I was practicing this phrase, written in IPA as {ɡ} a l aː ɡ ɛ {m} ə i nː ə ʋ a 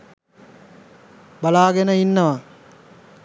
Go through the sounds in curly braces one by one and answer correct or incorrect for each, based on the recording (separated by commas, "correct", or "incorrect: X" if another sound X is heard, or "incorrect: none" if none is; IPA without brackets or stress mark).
incorrect: b, incorrect: n